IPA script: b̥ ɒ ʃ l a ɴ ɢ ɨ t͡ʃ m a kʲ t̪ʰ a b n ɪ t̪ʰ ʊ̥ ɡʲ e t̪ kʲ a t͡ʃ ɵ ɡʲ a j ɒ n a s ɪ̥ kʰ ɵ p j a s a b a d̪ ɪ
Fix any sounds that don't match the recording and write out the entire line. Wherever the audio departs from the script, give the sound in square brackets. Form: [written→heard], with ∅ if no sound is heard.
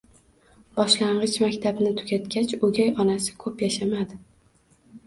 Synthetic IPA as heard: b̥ ɒ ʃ l a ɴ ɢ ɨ t͡ʃ m a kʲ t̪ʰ a b n ɪ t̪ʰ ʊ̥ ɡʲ [e→a] t̪ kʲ a t͡ʃ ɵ ɡʲ a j ɒ n a s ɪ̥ kʰ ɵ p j a [s→ʃ] a [b→m] a d̪ ɪ